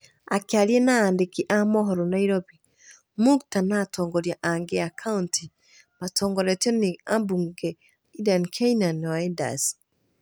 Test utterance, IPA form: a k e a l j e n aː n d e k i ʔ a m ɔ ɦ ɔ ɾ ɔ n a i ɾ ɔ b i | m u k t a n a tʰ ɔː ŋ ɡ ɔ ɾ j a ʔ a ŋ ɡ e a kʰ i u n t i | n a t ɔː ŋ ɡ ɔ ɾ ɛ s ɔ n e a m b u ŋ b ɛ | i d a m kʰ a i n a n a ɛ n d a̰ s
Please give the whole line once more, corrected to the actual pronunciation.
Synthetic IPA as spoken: a k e a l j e n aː n d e k i ʔ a m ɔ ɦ ɔ ɾ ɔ n a i ɾ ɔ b i | m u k t a n a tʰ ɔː ŋ ɡ ɔ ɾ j a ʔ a ŋ ɡ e a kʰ a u n t i | m a t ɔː ŋ ɡ ɔ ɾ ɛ t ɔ n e a m b u ŋ ɡ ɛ | i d a n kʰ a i n a n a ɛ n d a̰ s